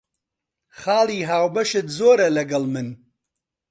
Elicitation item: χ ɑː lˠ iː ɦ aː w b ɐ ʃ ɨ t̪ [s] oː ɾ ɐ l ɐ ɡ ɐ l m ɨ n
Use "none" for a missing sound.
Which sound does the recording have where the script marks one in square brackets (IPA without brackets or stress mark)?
z